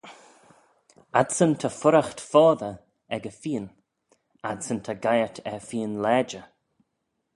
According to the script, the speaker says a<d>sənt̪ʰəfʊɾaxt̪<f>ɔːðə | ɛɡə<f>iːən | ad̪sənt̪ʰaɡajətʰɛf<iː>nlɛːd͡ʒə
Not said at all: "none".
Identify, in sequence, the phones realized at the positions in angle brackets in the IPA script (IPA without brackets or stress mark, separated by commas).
d, f, f, iː